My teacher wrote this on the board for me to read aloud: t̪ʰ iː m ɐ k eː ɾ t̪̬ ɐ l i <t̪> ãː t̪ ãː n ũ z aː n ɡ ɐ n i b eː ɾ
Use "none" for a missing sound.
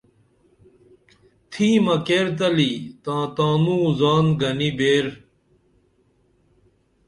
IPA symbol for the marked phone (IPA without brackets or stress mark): t̪